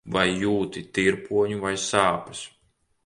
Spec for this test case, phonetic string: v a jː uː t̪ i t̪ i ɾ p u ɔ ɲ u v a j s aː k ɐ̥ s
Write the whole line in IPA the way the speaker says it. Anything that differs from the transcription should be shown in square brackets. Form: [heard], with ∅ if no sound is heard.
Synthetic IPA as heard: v a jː uː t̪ i t̪ i ɾ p u ɔ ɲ u v a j s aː [p] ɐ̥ s